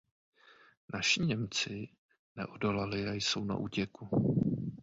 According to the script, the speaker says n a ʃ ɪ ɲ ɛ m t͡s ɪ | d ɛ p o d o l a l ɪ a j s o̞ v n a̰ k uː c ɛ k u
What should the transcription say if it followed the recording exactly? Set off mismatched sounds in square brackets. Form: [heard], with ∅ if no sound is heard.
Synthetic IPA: n a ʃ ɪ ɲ ɛ m t͡s ɪ | [n] ɛ [ʔ] o d o l a l ɪ a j s o̞ [w] n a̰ [ʔ] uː c ɛ k u